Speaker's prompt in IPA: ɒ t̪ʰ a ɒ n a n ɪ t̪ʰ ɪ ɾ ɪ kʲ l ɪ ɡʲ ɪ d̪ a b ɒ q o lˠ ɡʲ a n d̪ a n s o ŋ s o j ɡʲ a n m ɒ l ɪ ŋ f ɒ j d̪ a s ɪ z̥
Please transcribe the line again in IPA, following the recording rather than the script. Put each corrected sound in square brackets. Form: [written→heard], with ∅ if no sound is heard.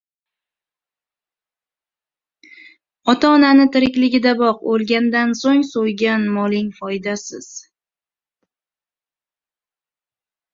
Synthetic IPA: ɒ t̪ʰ a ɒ n a n ɪ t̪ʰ ɪ ɾ ɪ kʲ l ɪ ɡʲ ɪ d̪ a b ɒ q o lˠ ɡʲ a n d̪ a n s o ŋ s o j ɡʲ a n m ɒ l ɪ ŋ f ɒ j d̪ a s ɪ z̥